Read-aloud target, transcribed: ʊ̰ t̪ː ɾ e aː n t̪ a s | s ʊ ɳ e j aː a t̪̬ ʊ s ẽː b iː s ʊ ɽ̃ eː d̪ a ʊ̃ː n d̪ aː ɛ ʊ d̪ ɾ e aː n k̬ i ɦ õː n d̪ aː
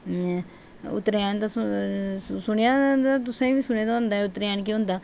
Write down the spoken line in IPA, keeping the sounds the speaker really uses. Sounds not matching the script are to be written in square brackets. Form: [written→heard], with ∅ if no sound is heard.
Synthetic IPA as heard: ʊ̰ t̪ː ɾ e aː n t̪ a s | s ʊ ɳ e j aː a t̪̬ ʊ s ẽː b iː s ʊ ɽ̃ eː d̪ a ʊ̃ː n d̪ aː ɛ ʊ [d̪→t̪] ɾ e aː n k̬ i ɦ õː n d̪ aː